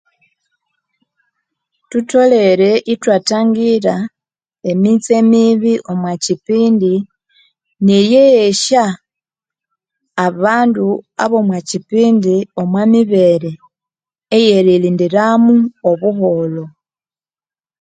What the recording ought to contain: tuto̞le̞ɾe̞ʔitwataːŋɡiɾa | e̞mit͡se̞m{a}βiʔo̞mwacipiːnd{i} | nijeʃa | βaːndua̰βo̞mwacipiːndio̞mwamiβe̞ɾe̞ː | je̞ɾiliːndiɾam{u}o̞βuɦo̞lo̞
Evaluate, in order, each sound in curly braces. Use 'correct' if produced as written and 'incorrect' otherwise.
incorrect, correct, correct

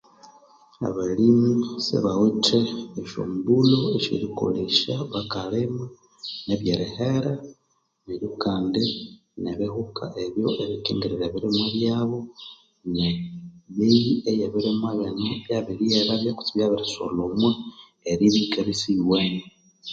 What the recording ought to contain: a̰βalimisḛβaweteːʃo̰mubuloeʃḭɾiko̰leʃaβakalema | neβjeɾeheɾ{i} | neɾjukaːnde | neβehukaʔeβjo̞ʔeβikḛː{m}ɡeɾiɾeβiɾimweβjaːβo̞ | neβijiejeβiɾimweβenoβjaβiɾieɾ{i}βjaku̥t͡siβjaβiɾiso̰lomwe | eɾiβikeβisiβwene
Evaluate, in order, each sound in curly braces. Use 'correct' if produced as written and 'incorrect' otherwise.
incorrect, incorrect, incorrect

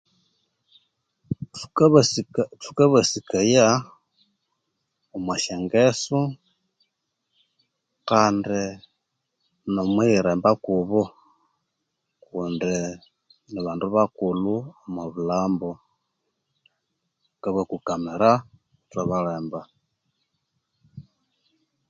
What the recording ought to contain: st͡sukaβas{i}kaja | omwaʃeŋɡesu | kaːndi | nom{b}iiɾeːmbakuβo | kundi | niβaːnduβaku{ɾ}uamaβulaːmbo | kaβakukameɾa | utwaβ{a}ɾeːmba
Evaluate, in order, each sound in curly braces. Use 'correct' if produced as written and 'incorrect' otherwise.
correct, incorrect, incorrect, correct

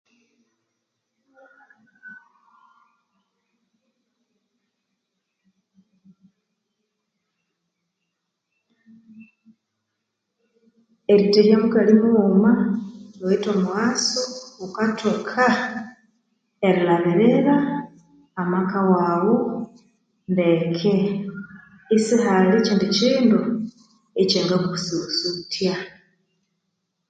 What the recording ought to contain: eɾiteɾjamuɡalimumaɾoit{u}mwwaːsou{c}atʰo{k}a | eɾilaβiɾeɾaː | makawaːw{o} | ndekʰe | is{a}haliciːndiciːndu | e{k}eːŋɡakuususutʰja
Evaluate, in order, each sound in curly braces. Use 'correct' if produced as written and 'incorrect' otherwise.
incorrect, incorrect, incorrect, correct, incorrect, incorrect

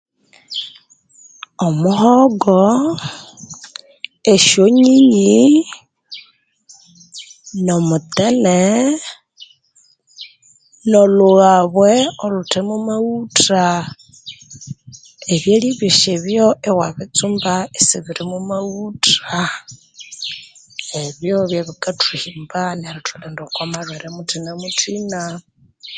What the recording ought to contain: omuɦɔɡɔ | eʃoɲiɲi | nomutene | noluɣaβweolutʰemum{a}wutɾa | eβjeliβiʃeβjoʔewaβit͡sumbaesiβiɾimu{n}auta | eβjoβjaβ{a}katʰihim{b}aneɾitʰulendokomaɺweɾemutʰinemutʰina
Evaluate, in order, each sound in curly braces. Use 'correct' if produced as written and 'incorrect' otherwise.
correct, incorrect, incorrect, correct

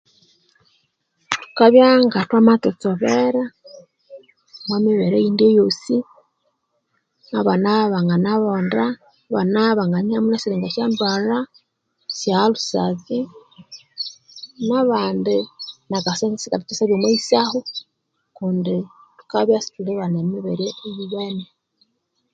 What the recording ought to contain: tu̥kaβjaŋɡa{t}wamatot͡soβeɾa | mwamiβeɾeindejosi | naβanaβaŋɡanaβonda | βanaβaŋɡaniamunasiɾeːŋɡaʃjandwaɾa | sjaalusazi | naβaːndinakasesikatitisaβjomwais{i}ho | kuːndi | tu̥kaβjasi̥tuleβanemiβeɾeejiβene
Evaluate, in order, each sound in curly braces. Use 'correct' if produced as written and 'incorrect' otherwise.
correct, incorrect

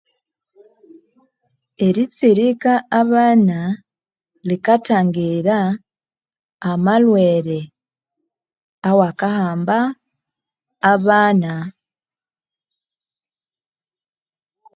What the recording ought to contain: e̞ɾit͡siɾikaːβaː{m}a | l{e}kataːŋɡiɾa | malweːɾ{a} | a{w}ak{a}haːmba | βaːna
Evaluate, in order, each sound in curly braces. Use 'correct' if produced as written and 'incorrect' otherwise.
incorrect, incorrect, incorrect, correct, correct

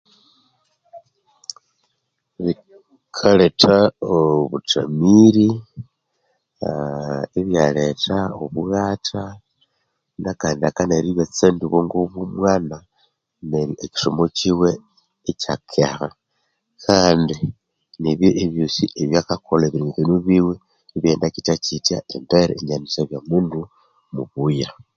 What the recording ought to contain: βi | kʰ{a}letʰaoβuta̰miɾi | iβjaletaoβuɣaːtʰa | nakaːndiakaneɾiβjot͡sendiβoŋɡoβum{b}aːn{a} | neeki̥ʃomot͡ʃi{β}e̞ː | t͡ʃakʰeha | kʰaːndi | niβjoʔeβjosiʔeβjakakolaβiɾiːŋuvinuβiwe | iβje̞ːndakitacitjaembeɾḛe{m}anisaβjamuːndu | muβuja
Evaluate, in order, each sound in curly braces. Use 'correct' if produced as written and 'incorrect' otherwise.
correct, incorrect, correct, incorrect, incorrect

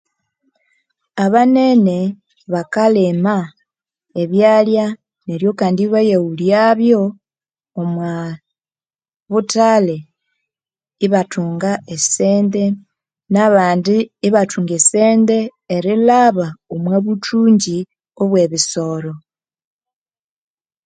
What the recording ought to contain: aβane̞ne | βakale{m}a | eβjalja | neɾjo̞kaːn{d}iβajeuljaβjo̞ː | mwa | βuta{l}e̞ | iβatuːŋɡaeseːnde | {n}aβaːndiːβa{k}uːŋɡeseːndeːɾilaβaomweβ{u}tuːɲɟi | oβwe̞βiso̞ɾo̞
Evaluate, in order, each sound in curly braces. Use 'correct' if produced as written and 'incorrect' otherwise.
correct, correct, correct, correct, incorrect, correct

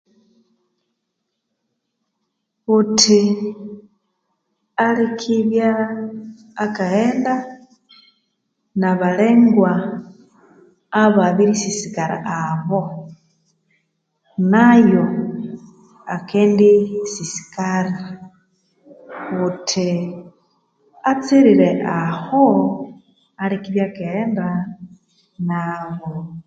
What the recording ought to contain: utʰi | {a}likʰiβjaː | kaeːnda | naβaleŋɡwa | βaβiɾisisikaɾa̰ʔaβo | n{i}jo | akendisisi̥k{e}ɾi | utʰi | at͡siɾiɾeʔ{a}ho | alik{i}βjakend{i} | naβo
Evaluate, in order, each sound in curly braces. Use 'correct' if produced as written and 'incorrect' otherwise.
correct, incorrect, incorrect, correct, correct, incorrect

